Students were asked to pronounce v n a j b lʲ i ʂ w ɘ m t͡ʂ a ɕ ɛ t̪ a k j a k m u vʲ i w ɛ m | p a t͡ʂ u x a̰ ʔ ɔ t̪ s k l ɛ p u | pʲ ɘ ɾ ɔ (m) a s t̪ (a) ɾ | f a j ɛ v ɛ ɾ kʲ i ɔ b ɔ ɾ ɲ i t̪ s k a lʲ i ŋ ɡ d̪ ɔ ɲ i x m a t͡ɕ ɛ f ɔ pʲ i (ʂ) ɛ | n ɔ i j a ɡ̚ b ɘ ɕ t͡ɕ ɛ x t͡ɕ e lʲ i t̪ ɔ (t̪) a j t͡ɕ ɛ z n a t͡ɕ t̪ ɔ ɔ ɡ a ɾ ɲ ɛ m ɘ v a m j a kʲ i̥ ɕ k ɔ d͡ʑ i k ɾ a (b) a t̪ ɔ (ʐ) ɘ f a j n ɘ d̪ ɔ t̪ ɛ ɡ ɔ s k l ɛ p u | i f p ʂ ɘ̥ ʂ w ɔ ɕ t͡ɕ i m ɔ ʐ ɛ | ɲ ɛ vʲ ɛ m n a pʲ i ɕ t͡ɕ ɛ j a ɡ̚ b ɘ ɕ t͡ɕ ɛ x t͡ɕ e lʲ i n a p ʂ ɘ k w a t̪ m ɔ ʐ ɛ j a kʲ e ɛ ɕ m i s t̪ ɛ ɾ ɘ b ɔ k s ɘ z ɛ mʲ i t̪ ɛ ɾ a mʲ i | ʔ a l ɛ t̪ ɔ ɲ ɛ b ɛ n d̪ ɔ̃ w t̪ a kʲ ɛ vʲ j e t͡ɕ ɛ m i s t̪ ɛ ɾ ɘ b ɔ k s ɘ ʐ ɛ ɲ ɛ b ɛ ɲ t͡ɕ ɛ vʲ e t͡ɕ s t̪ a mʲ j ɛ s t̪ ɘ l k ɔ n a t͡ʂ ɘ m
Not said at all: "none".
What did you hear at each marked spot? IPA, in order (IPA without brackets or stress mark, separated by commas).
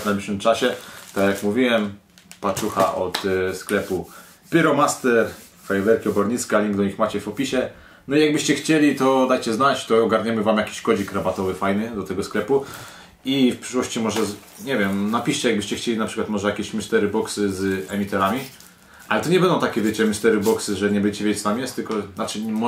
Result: m, ɛ, ɕ, d̪, b, v